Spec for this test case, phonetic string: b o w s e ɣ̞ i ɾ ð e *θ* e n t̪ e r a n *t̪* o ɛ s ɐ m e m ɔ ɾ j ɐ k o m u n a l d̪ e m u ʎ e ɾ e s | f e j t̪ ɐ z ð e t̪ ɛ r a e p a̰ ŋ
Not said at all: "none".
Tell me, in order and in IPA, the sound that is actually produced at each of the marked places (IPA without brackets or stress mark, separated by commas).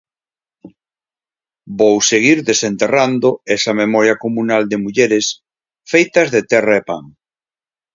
s, d̪